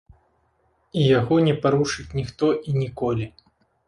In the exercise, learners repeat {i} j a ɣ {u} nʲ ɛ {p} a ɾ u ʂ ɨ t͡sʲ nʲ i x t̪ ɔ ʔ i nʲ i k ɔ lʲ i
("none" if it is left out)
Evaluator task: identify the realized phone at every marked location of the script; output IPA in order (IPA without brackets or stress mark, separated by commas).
i, ɔ, p